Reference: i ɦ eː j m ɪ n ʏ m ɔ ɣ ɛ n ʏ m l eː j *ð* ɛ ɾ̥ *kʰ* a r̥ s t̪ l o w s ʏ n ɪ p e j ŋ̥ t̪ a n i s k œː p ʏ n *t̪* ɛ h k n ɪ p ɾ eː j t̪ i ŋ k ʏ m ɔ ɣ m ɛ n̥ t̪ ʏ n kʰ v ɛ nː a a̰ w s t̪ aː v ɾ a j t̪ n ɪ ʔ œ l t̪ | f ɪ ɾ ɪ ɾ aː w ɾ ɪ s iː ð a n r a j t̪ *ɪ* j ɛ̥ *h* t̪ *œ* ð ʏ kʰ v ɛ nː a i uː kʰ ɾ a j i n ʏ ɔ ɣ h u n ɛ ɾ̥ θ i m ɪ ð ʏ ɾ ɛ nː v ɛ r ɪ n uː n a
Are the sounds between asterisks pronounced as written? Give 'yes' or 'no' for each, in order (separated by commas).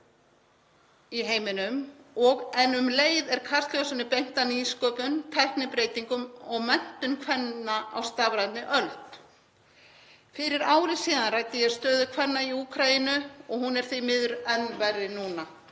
yes, yes, no, yes, no, no